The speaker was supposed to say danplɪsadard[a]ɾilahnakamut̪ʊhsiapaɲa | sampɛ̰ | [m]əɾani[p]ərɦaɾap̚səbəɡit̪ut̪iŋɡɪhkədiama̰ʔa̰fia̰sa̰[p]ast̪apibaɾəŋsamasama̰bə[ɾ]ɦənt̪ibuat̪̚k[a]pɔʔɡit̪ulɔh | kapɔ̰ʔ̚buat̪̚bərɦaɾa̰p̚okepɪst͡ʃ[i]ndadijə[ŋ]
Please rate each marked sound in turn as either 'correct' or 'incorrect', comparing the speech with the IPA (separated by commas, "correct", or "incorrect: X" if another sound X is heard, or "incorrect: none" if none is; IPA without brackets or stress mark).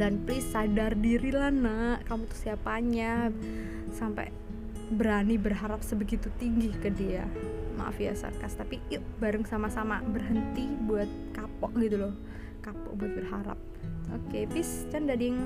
incorrect: i, incorrect: b, incorrect: b, incorrect: k, incorrect: r, correct, incorrect: a, correct